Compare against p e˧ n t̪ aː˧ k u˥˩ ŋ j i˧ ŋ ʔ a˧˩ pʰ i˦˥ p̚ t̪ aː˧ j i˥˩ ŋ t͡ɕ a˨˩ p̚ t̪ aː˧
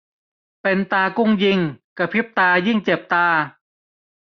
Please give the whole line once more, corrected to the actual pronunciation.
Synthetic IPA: p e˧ n t̪ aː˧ k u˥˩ ŋ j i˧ ŋ k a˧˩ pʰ i˦˥ p̚ t̪ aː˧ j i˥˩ ŋ t͡ɕ e˨˩ p̚ t̪ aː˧